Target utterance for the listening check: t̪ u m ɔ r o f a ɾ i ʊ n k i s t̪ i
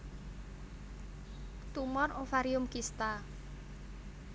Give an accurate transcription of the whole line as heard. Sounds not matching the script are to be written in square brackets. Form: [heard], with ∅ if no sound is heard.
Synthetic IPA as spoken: t̪ u m ɔ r o f a ɾ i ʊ [m] k i s t̪ [a]